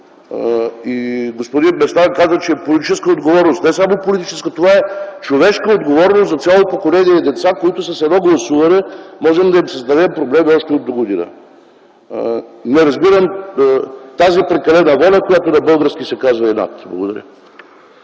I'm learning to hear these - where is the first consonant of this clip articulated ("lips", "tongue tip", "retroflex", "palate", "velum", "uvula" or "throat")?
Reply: velum